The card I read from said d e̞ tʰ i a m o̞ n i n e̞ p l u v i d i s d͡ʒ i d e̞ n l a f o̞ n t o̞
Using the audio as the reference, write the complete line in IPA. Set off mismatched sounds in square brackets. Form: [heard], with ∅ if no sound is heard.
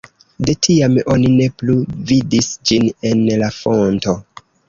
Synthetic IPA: d e̞ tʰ i a m o̞ n i n e̞ p l u v i d i s d͡ʒ i [n] e̞ n l a f o̞ n t o̞